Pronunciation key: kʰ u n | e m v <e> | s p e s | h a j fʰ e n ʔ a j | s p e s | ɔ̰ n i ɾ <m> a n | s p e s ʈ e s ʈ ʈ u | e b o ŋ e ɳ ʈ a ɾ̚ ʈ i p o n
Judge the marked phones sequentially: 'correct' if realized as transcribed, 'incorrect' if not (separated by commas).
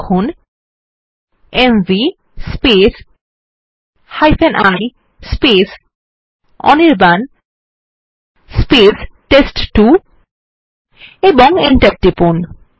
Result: incorrect, incorrect